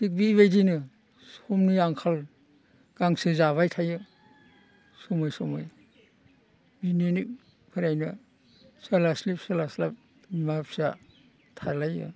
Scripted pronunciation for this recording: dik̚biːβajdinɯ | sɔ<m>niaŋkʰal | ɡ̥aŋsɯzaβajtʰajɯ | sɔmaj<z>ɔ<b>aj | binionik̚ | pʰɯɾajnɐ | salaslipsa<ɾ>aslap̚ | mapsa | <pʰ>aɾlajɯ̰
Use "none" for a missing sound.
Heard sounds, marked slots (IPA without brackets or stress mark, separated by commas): m, s, m, l, tʰ